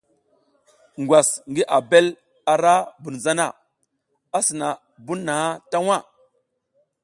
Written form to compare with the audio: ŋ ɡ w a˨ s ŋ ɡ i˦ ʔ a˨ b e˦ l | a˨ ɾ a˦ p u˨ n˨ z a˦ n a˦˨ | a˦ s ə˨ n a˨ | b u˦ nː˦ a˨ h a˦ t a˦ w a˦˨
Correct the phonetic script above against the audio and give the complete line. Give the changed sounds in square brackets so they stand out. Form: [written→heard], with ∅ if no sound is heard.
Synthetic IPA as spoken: ŋ ɡ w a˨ s ŋ ɡ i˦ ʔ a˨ b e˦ l | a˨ ɾ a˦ [p→b] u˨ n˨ z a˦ n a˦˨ | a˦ s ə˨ n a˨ | b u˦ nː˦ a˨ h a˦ t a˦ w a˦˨

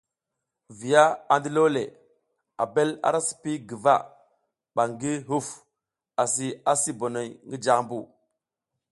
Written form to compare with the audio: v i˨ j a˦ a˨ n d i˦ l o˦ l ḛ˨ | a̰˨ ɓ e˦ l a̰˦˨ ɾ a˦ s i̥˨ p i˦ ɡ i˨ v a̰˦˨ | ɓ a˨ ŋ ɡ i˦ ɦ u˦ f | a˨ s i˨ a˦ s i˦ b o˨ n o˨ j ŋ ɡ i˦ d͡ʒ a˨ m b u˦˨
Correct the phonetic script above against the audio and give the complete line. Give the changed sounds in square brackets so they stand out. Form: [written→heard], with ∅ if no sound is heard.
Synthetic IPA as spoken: v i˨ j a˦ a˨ n d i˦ l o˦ l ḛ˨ | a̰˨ [ɓ→b] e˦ l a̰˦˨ ɾ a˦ s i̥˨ p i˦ ɡ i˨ v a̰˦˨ | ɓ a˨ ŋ ɡ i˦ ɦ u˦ f | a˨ s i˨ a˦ s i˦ b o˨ n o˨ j ŋ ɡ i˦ d͡ʒ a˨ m b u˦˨

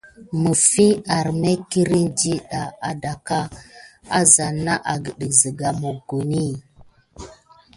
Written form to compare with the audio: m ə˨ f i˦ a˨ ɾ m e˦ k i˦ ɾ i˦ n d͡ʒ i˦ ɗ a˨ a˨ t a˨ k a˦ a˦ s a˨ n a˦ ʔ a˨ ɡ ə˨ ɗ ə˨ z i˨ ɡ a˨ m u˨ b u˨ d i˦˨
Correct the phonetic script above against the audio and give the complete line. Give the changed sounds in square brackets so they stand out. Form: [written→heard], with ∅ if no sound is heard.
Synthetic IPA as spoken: m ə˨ f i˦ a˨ ɾ m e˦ k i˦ ɾ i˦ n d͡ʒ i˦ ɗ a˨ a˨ [t→d] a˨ k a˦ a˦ [s→z] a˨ n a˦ ʔ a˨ ɡ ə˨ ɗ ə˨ z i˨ ɡ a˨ m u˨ [b→ɡ] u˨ [d→n] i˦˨

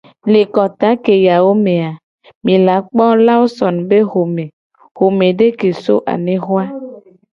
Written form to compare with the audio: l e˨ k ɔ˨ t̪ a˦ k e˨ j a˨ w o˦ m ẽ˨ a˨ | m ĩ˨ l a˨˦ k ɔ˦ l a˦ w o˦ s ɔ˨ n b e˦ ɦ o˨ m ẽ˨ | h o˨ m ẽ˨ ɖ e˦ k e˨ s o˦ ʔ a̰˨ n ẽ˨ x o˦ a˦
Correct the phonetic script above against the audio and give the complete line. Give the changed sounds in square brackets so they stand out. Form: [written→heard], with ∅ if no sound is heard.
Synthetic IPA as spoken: l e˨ k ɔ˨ t̪ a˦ k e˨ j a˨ w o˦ m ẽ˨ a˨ | m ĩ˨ l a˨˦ [k→k͡p] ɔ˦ l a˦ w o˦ s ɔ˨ n b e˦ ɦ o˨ m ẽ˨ | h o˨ m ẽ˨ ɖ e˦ k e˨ s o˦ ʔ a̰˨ n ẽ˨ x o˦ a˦

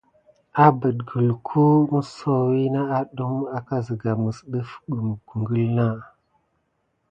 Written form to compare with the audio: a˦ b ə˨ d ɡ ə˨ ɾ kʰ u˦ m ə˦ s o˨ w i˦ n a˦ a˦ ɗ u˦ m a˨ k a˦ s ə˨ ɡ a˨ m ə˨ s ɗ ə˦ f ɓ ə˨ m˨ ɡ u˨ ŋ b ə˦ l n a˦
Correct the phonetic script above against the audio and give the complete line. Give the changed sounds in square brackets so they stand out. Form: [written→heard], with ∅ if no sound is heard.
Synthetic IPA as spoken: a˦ b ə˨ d ɡ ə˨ [ɾ→l] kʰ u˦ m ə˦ s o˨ w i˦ n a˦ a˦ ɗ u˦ m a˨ k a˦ [s→z] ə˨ ɡ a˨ m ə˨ s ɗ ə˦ f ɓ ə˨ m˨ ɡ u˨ ŋ [b→ɡ] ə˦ l n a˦

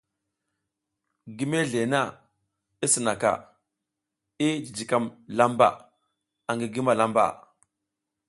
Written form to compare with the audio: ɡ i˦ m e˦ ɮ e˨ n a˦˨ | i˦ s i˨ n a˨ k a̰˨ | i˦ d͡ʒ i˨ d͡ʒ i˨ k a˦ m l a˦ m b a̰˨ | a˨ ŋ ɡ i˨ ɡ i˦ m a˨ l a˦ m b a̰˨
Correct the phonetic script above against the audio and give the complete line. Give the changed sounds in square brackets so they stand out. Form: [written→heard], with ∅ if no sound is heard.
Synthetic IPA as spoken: ɡ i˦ m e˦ ɮ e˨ n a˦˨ | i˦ s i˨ n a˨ k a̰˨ | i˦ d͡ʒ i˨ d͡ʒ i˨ k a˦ m l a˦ m b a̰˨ | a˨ ŋ ɡ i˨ ɡ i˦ m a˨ l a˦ m b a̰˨

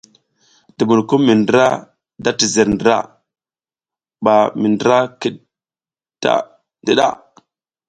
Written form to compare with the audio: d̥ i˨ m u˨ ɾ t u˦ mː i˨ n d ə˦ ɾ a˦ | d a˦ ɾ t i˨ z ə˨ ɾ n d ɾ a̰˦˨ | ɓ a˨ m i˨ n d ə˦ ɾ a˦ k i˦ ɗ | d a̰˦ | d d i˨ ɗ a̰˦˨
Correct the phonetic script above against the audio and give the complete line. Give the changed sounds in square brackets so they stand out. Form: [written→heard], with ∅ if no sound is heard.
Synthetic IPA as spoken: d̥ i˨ m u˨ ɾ [t→k] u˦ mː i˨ n d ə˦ ɾ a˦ | d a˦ [ɾ→∅] t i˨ z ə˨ ɾ n d ɾ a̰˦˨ | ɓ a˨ m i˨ n d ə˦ ɾ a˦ k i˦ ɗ | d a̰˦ | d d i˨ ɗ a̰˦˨

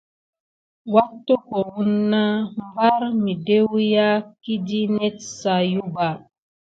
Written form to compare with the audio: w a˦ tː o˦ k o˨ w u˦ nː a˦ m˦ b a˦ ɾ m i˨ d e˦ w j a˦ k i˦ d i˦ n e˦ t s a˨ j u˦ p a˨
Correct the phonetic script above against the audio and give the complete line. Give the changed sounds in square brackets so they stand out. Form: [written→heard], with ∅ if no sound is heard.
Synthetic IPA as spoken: w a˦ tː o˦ k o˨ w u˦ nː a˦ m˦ b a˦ ɾ m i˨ d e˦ w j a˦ k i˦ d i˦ n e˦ t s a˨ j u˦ [p→b] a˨

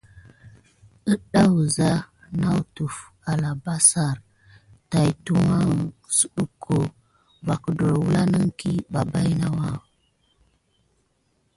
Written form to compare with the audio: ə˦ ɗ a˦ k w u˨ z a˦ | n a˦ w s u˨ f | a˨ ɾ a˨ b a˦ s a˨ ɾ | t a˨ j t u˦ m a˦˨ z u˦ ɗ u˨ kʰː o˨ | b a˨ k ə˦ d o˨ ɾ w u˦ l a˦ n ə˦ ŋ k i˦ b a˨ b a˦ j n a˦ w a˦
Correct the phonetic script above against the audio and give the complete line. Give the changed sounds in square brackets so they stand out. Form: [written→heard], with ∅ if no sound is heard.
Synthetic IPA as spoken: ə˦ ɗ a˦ [k→∅] w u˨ z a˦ | n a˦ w [s→t] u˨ f | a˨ [ɾ→l] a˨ b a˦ s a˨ ɾ | t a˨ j t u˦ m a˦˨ [z→s] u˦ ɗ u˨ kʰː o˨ | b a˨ k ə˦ d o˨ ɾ w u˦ l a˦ n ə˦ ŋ k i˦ b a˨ b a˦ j n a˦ w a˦

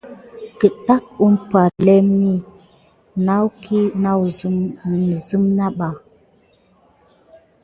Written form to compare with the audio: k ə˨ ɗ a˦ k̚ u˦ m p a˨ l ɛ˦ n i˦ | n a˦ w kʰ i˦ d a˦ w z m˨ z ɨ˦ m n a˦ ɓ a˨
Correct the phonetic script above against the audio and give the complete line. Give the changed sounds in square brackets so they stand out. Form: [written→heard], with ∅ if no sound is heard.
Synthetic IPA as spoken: k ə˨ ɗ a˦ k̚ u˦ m p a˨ l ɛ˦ [n→m] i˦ | n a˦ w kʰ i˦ [d→n] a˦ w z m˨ z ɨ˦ m n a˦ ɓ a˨

